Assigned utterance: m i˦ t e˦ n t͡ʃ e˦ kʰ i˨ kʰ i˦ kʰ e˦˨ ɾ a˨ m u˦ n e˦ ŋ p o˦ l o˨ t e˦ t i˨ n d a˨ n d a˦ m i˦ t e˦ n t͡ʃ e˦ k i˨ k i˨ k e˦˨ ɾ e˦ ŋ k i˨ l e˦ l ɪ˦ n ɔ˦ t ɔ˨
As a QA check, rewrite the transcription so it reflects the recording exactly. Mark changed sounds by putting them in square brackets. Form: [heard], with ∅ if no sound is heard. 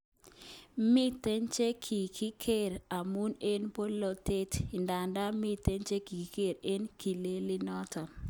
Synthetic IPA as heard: m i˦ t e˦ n t͡ʃ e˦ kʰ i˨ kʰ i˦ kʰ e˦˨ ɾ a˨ m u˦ n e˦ [n] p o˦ l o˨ t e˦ t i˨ n d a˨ n d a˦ m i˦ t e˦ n t͡ʃ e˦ k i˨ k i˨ k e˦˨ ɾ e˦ [n] k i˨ l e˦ l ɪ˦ n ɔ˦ t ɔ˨